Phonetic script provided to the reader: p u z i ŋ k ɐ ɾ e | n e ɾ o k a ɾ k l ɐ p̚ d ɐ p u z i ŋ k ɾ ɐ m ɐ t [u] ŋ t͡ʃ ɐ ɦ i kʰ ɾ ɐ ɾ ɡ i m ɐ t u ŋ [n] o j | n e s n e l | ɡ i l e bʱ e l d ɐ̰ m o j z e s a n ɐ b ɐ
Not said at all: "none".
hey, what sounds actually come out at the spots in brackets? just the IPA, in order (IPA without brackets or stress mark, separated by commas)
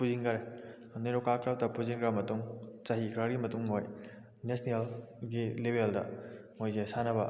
u, m